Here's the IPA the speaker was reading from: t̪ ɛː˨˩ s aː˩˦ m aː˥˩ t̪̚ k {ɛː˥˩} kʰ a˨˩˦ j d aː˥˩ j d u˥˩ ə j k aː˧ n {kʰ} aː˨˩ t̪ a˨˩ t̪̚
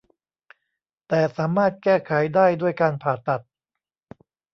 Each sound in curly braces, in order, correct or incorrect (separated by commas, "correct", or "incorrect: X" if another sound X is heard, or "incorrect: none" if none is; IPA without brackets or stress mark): correct, incorrect: pʰ